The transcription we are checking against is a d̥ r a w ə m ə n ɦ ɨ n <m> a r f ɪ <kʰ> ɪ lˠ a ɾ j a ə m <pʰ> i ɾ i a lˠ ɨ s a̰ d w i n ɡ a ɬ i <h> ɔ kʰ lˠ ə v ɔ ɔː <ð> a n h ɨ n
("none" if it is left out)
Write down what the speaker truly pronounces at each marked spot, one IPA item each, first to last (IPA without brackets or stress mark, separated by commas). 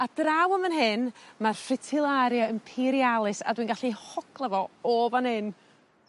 m, tʰ, pʰ, h, v